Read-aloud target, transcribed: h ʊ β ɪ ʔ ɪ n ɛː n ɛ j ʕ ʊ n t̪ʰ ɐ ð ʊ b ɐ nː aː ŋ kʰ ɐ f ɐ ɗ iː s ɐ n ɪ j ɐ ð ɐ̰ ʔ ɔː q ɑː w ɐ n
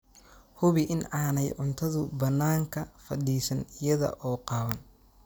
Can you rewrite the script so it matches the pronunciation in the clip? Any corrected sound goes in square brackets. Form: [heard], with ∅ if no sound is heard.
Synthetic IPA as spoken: h ʊ β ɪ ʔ ɪ n [aː] n ɛ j ʕ ʊ n t̪ʰ ɐ ð ʊ b ɐ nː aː ŋ kʰ ɐ f ɐ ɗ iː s ɐ n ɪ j ɐ ð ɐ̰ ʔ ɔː q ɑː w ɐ n

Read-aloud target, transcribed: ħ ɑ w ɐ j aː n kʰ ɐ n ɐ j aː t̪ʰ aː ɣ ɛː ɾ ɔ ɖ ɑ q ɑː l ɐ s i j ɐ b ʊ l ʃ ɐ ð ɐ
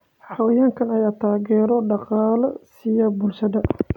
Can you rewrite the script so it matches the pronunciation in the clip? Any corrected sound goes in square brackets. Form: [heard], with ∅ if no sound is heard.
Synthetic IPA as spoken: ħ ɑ w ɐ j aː [ŋ] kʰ ɐ n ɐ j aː t̪ʰ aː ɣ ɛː ɾ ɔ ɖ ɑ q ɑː l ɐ s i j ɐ b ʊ l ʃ ɐ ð ɐ

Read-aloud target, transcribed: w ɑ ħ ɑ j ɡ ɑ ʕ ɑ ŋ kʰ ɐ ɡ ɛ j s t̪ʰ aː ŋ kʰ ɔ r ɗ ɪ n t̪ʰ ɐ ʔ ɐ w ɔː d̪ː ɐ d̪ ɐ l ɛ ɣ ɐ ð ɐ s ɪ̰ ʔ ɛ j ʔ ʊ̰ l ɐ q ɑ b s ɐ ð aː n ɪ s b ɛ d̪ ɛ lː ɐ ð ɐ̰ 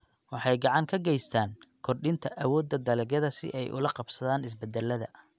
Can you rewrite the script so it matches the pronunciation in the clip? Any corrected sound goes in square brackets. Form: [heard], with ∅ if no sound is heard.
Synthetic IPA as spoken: w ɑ ħ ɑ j ɡ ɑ ʕ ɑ ŋ kʰ ɐ ɡ ɛ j s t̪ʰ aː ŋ kʰ ɔ r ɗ ɪ n t̪ʰ ɐ ʔ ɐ w ɔː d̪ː ɐ d̪ ɐ l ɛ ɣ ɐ ð ɐ s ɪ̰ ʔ ɛ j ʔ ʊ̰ l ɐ q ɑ b s ɐ ð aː n ɪ s b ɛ d̪ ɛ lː ɐ ð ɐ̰

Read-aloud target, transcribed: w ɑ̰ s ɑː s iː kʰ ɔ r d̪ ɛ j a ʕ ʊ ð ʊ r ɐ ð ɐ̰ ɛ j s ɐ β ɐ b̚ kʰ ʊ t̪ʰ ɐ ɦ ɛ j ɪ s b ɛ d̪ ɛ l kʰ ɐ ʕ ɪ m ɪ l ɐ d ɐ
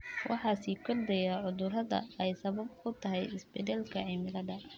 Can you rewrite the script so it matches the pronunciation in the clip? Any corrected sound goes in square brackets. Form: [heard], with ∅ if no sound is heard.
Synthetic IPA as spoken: w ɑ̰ [ħ] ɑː s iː kʰ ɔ r d̪ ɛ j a ʕ ʊ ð ʊ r ɐ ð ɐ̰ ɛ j s ɐ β ɐ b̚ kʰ ʊ t̪ʰ ɐ ɦ ɛ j ɪ s b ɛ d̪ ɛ l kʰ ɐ ʕ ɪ m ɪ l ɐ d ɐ

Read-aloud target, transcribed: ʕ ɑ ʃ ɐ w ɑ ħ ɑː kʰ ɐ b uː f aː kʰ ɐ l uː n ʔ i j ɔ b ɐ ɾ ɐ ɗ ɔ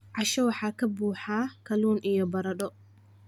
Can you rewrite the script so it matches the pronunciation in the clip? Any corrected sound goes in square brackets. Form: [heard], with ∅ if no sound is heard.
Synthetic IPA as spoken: ʕ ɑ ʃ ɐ w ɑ ħ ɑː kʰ ɐ b uː [ħ] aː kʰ ɐ l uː n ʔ i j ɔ b ɐ ɾ ɐ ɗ ɔ

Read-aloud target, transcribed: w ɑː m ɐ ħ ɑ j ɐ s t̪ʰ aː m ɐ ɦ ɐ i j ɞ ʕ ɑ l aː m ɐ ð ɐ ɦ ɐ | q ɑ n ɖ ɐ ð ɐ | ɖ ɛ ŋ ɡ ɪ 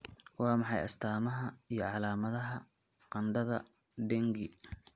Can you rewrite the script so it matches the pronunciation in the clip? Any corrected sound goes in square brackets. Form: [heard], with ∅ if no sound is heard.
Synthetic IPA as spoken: w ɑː m [ɑ] ħ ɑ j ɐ s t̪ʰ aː m ɐ ɦ ɐ i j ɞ ʕ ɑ l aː m ɐ ð ɐ ɦ ɐ | q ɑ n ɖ ɐ ð ɐ | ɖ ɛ ŋ ɡ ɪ

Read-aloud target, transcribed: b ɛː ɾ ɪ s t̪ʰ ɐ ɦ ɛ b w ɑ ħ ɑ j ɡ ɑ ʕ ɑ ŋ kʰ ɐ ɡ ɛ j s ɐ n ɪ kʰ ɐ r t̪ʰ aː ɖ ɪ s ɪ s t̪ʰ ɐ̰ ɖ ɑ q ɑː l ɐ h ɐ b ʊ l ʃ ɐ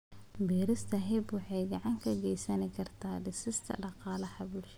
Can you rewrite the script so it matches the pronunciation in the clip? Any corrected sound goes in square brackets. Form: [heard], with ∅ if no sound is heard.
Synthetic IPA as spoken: b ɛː ɾ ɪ s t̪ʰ ɐ ɦ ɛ b w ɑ ħ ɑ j ɡ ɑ ʕ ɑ ŋ kʰ ɐ ɡ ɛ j s ɐ n ɪ kʰ ɐ r t̪ʰ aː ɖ ɪ s ɪ s t̪ʰ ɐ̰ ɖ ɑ q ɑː l ɐ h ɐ b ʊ l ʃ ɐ

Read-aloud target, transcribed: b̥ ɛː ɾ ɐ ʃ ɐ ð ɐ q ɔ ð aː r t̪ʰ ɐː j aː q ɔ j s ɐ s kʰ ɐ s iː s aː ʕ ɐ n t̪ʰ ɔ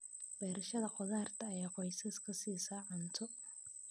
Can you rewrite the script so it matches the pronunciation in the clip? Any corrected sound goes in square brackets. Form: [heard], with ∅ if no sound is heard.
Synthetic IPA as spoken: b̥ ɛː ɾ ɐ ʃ ɐ ð ɐ q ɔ ð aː r t̪ʰ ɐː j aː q ɔ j s ɐ s kʰ ɐ s iː s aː ʕ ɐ n t̪ʰ ɔ

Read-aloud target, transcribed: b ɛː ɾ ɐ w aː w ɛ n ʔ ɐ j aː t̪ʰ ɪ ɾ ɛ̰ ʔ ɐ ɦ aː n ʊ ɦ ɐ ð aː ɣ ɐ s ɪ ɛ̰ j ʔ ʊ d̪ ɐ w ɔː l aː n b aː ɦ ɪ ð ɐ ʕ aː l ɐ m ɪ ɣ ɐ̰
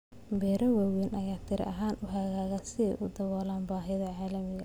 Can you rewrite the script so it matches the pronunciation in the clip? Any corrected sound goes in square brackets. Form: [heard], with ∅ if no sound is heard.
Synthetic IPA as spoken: b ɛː ɾ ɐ w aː w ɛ n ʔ ɐ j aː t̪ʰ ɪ ɾ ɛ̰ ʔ ɐ ɦ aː n ʊ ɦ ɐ [ɣ] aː ɣ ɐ s ɪ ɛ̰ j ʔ ʊ d̪ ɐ w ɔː l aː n b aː ɦ ɪ ð ɐ ʕ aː l ɐ m ɪ ɣ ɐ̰

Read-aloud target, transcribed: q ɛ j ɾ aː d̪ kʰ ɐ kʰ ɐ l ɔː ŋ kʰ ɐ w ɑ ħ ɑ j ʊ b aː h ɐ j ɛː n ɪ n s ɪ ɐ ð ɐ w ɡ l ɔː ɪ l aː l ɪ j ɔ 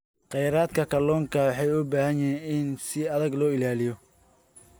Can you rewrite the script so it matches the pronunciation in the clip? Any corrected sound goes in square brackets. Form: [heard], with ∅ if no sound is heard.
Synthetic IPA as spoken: q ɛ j ɾ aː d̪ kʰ ɐ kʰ ɐ l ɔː ŋ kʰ ɐ w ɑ ħ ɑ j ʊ b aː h ɐ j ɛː n ɪ n s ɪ ɐ ð ɐ [∅] ɡ l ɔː ɪ l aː l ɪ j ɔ

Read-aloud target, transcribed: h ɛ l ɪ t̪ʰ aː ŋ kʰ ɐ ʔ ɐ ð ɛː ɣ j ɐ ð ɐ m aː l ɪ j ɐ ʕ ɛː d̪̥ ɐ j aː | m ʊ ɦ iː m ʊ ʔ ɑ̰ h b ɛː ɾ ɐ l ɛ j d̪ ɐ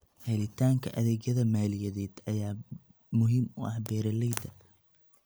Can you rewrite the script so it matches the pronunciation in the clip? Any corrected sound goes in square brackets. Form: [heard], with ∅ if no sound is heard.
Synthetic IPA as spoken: h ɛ l ɪ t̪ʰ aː ŋ kʰ ɐ ʔ ɐ ð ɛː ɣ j ɐ ð ɐ m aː l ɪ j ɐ [ð] ɛː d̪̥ ɐ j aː | m ʊ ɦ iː m ʊ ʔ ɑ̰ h b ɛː ɾ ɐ l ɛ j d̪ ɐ

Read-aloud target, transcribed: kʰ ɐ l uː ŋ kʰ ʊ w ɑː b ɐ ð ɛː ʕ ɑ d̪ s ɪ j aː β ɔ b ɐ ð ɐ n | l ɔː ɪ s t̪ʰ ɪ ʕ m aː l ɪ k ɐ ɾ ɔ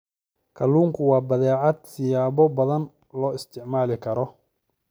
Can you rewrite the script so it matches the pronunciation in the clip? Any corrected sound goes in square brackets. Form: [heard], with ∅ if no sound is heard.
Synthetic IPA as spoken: kʰ ɐ l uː ŋ kʰ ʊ w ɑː b ɐ ð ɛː ʕ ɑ d̪ s ɪ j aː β ɔ b ɐ ð ɐ n | l ɔː ɪ s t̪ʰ ɪ ʕ m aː l ɪ [kʰ] ɐ ɾ ɔ

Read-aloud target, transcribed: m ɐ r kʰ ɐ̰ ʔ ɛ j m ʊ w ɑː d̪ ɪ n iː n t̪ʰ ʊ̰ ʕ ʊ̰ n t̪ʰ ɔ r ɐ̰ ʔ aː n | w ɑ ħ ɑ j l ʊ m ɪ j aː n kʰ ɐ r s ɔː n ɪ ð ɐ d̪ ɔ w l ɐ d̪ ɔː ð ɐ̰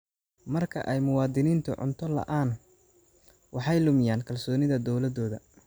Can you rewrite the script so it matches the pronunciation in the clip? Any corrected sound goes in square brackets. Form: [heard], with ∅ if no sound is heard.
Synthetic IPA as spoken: m ɐ r kʰ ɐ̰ ʔ ɛ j m ʊ w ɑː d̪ ɪ n iː n t̪ʰ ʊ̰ ʕ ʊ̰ n t̪ʰ ɔ [l] ɐ̰ ʔ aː n | w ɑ ħ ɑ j l ʊ m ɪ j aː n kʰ ɐ [l] s ɔː n ɪ ð ɐ d̪ ɔ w l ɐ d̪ ɔː ð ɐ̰

